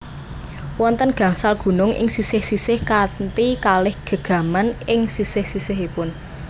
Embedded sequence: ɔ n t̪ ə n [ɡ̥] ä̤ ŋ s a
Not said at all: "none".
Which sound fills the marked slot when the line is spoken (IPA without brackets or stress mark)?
ɡ̥